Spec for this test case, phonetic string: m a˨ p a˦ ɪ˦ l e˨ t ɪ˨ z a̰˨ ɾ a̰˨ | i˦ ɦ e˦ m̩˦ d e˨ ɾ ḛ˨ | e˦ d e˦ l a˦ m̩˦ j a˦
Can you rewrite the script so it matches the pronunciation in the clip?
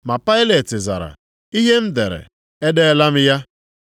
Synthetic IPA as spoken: m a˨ p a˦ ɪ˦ l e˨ t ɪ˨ z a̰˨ ɾ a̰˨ | i˦ ɦ e˦ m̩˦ d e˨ ɾ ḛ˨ | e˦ d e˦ l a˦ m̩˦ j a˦